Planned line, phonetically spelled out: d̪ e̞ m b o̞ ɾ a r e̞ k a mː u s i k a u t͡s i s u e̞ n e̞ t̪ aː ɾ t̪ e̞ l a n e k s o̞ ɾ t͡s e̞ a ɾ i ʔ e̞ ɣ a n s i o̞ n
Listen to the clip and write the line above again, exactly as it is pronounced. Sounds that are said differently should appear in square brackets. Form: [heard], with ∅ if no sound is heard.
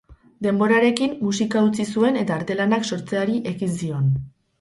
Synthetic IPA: d̪ e̞ m b o̞ ɾ a [ɾ] e̞ k [i] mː u s i k a u t͡s i s u e̞ n e̞ t̪ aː ɾ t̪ e̞ l a n [a] k s o̞ ɾ t͡s e̞ a ɾ i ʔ e̞ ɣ [i] n s i o̞ n